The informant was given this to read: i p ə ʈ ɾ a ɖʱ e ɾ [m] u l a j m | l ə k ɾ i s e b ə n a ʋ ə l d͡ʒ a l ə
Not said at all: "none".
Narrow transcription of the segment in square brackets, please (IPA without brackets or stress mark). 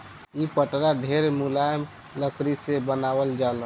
m